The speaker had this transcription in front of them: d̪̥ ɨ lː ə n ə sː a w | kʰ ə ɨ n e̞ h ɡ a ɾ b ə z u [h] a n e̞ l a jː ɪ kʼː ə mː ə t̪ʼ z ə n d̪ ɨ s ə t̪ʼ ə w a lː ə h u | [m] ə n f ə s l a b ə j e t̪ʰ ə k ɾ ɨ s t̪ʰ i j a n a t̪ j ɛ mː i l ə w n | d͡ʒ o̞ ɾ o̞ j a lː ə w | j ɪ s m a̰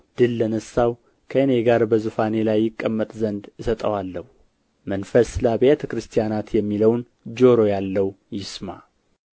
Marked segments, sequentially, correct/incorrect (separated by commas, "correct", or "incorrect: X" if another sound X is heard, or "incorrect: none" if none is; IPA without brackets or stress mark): incorrect: f, correct